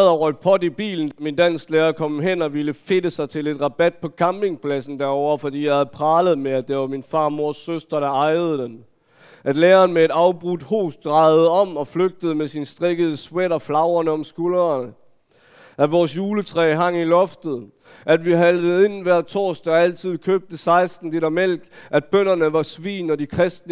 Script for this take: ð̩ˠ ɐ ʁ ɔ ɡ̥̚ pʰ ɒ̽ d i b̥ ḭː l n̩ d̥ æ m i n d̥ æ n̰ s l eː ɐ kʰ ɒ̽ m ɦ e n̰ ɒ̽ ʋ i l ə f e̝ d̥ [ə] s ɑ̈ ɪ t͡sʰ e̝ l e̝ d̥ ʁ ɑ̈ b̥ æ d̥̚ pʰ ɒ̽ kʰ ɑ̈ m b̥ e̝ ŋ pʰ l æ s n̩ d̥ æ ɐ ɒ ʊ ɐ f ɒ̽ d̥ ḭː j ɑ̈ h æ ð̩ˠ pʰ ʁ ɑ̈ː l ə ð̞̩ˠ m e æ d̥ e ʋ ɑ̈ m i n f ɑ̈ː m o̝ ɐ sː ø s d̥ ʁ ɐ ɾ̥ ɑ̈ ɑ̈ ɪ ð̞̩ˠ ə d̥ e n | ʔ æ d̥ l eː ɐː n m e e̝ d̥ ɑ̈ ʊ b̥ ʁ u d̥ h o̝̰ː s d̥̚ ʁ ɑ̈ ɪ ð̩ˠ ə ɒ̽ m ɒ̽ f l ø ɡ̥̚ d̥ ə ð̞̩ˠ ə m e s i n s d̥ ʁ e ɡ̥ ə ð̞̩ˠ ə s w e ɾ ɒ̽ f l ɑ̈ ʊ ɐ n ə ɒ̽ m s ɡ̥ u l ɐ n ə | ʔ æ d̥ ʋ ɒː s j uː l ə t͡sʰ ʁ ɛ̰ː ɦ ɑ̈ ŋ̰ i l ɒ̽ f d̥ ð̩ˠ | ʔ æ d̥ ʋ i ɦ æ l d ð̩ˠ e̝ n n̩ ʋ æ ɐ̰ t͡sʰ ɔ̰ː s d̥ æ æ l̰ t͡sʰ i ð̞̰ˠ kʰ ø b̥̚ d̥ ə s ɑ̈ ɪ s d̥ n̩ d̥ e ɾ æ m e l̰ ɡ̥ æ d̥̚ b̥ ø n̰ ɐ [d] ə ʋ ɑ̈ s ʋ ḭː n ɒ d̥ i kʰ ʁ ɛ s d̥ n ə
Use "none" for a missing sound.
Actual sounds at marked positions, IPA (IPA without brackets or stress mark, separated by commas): ə, n